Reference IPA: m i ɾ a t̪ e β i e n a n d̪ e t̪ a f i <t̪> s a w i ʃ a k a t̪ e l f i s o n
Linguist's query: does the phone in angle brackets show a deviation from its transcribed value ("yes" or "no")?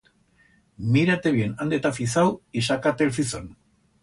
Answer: yes